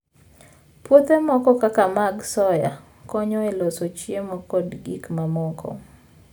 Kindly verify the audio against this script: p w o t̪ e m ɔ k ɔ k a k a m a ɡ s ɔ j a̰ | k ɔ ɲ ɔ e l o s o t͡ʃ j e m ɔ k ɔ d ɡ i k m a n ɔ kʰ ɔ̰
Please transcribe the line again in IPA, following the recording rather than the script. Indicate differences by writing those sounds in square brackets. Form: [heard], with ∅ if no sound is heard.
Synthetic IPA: p w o t̪ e m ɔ k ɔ k a k a m a ɡ s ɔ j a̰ | k ɔ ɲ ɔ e l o s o t͡ʃ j e m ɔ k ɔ d ɡ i k m a [m] ɔ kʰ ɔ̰